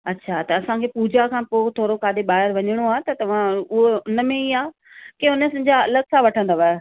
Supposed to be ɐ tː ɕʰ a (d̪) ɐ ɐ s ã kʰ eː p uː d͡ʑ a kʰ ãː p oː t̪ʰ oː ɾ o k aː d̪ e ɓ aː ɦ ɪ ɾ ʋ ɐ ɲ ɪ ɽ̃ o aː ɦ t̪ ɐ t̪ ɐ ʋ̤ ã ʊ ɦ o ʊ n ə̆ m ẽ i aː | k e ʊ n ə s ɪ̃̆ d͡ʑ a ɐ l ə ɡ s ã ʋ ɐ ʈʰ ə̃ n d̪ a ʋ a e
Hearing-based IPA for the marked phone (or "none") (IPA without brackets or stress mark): t̪